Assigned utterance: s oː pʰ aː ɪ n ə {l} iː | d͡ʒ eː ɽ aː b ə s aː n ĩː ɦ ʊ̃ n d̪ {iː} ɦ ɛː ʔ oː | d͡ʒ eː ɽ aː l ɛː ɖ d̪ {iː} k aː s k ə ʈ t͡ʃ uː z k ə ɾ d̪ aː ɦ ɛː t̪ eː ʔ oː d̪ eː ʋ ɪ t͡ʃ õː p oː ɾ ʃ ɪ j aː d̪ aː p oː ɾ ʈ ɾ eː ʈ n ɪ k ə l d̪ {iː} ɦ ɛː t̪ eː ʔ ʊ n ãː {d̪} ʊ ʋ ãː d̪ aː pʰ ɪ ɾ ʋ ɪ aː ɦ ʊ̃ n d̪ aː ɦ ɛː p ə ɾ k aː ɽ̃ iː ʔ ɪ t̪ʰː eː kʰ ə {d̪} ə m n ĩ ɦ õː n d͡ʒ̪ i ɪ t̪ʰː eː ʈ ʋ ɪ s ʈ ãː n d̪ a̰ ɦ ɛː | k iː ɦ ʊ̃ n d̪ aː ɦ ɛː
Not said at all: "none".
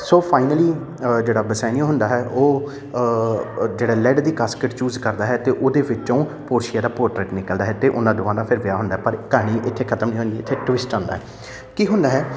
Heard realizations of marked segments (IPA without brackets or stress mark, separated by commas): l, aː, iː, aː, d̪, t̪